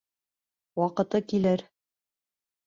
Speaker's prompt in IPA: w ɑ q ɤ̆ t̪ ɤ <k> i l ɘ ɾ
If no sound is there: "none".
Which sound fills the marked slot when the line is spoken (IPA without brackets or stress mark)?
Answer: k